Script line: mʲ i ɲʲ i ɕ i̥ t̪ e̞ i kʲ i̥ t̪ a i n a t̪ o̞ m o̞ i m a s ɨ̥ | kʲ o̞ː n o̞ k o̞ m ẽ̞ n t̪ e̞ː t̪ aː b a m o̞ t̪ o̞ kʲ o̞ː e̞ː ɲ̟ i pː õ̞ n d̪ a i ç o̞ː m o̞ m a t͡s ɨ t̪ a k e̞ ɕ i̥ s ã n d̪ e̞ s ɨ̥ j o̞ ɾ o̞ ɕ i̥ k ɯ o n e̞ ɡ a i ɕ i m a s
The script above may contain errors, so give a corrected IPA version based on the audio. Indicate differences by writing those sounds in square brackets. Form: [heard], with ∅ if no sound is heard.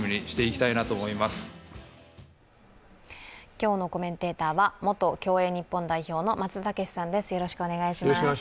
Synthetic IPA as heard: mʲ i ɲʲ i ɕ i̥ t̪ e̞ i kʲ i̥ t̪ a i n a t̪ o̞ m o̞ i m a s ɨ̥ | kʲ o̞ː n o̞ k o̞ m ẽ̞ n t̪ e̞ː t̪ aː [β] a m o̞ t̪ o̞ kʲ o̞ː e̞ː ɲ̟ i pː õ̞ n d̪ a i ç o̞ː [n] o̞ m a t͡s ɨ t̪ a k e̞ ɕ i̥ s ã n d̪ e̞ s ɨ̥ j o̞ ɾ o̞ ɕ i̥ k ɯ o n e̞ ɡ a i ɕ i m a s